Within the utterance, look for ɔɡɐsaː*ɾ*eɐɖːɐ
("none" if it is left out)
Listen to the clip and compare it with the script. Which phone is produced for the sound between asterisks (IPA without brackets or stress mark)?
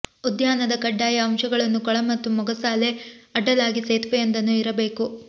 l